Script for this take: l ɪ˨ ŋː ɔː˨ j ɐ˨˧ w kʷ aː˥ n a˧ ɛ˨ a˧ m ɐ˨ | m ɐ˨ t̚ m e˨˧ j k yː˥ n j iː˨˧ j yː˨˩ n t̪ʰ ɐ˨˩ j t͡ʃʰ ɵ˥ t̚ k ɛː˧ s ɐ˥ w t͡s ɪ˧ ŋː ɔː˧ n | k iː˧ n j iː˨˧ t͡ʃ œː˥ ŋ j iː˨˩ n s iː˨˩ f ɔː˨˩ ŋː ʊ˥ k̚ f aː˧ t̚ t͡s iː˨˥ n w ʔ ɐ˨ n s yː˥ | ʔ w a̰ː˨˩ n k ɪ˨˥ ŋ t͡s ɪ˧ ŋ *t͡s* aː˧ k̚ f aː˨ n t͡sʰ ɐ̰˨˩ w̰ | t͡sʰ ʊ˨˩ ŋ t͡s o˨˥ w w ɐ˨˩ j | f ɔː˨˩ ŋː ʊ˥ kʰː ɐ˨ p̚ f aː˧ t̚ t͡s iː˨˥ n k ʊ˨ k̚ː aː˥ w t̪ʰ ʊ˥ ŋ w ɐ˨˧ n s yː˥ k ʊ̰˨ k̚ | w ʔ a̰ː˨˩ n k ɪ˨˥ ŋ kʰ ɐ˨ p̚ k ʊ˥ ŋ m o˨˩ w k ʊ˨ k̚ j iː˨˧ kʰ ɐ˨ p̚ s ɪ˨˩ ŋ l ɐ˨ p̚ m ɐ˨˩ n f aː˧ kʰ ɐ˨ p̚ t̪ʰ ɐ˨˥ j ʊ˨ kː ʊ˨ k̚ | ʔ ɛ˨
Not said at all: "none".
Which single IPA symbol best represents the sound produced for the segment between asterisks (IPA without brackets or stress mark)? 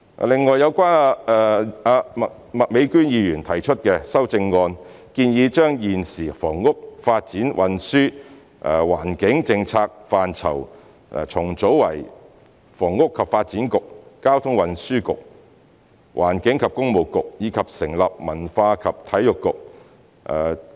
t͡sʰ